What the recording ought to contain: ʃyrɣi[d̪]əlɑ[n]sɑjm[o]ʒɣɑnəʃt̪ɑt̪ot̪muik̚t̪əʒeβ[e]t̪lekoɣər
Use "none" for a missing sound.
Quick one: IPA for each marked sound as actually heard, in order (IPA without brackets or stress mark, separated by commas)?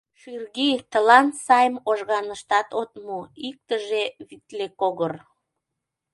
t̪, n, o, i